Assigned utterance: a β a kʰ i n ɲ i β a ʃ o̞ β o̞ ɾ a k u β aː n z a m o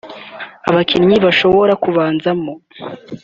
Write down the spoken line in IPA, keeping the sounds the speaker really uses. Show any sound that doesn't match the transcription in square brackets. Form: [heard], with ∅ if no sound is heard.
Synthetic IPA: a β a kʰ i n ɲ i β a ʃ o̞ β o̞ ɾ a k u β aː n z a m o

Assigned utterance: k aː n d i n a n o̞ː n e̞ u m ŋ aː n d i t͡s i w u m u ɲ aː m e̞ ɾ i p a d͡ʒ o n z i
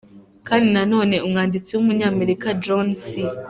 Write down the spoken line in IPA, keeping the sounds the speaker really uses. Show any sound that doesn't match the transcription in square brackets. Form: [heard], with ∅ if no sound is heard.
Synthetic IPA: k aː n d i n a n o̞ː n e̞ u m ŋ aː n d i t͡s i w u m u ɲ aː m e̞ ɾ i [k] a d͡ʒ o n [s] i

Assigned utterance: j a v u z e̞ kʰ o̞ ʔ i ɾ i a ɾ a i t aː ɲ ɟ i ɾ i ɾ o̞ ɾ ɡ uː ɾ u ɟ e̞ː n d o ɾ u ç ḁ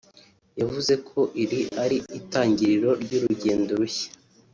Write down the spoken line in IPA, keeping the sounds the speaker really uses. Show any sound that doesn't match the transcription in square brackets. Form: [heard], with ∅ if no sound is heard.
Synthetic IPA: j a v u z e̞ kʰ o̞ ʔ i ɾ i a ɾ [i] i t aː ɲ ɟ i ɾ i ɾ o̞ ɾ [ɟ] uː ɾ u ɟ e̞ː n d o ɾ u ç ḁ

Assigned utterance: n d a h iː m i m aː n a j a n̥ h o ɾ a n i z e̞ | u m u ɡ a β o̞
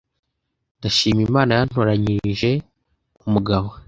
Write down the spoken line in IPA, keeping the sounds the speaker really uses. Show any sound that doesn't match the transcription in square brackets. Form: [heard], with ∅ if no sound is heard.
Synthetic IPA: n d a [ʃ] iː m i m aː n a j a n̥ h o ɾ a [ɲ] i [ʒ] e̞ | u m u ɡ a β o̞

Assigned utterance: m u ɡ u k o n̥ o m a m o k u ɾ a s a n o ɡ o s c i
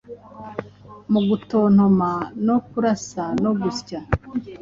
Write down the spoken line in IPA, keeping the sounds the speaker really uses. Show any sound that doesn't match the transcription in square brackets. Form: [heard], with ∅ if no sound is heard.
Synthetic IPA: m u ɡ u [t] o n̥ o m a [n] o k u ɾ a s a n o ɡ [u] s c [a]

